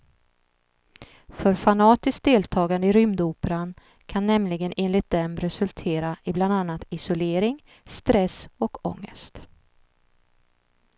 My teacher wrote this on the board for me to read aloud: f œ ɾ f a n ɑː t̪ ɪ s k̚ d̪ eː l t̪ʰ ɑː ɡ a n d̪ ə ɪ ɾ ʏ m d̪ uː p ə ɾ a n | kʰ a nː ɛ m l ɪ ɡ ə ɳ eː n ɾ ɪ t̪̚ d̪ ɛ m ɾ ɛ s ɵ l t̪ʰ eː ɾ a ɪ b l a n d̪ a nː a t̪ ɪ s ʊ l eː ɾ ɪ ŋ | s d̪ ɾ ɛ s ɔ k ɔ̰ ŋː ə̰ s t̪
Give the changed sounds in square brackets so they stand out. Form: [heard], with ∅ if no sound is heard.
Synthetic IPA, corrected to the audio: f œ ɾ f a n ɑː t̪ ɪ s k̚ d̪ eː l t̪ʰ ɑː ɡ a n d̪ ə ɪ ɾ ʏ m d̪ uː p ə ɾ a n | kʰ a nː ɛ m l ɪ ɡ ə [n] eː n [l] ɪ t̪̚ d̪ ɛ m ɾ ɛ s ɵ l t̪ʰ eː ɾ a ɪ b l a n d̪ a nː a t̪ ɪ s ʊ l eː ɾ ɪ ŋ | s [t̪] ɾ ɛ s ɔ k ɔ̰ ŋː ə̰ s t̪